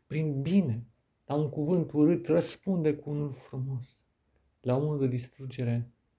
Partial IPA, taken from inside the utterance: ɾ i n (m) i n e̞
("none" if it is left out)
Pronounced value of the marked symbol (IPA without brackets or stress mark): b